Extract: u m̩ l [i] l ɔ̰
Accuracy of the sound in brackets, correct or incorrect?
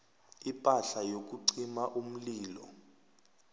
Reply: incorrect